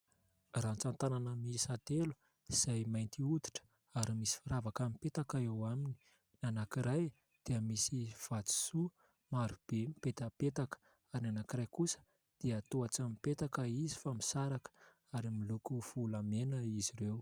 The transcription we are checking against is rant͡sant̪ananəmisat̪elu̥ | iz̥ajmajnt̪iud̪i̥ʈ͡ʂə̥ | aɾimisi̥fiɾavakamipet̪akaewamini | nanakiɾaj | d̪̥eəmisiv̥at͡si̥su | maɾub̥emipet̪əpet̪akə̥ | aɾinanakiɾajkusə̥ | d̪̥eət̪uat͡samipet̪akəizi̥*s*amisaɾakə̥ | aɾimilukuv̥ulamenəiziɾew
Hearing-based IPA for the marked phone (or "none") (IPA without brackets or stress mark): f